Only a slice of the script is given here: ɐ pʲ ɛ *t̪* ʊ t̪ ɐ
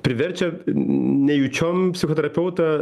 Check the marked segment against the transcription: incorrect: none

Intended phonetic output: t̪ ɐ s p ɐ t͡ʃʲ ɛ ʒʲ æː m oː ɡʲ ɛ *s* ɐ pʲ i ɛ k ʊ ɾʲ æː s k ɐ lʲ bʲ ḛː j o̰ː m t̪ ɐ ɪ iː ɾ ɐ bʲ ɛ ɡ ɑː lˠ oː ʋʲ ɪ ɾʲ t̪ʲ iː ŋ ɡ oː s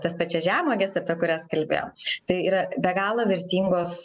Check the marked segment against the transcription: correct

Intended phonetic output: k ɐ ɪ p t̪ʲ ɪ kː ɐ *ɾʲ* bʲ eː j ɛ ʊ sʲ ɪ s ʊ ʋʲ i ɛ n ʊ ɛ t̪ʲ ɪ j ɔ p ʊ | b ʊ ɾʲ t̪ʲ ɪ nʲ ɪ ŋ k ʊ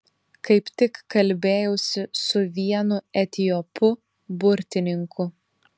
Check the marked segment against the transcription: incorrect: lʲ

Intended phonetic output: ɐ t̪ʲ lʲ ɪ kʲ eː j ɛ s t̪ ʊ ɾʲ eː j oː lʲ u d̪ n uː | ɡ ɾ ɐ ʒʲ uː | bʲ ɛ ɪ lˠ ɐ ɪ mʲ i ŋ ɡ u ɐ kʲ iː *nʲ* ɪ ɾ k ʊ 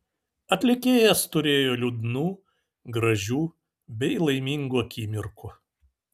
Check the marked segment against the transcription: incorrect: mʲ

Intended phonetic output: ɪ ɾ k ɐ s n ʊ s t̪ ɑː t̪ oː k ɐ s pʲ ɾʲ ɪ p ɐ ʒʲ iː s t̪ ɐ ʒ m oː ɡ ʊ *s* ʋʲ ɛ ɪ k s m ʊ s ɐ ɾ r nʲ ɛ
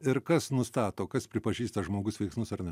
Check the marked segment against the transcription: correct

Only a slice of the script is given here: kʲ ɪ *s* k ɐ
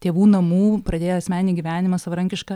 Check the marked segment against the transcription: incorrect: ʃ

